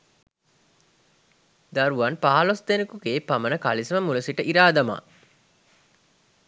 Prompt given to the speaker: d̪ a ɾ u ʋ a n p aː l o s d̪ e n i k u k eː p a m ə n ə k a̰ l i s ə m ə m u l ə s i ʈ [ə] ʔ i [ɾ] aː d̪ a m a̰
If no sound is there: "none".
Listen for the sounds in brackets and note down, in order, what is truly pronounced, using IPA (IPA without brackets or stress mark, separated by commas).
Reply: ə, ɾ